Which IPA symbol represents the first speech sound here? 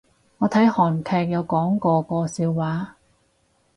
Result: ŋ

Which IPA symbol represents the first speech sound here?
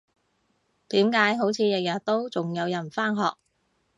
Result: t̪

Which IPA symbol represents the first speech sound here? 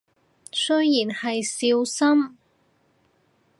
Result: s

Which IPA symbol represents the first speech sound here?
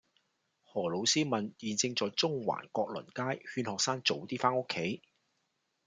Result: h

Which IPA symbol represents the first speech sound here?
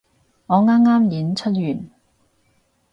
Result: ŋ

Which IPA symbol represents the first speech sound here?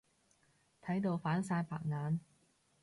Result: t̪ʰ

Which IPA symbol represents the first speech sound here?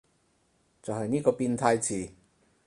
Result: t͡s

